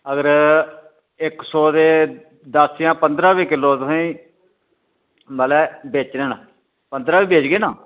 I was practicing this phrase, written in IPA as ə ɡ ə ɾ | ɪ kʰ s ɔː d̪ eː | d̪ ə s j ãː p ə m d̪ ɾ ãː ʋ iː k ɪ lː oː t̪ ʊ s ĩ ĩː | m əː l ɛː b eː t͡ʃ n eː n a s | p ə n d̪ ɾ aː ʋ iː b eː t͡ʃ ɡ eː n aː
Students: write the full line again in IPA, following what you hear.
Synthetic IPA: ə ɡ ə ɾ | ɪ k s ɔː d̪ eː | d̪ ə s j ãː p ə n d̪ ɾ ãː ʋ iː k ɪ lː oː t̪ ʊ s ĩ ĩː | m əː l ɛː b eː t͡ʃ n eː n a | p ə n d̪ ɾ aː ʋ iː b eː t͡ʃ ɡ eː n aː